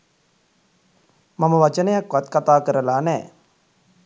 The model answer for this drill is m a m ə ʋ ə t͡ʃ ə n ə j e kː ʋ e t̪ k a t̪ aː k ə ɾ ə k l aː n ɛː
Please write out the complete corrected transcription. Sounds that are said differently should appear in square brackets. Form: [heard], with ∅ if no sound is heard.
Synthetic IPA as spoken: m a m ə ʋ [a] t͡ʃ ə n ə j [a] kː ʋ [a] t̪ k a t̪ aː k ə ɾ ə [∅] l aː n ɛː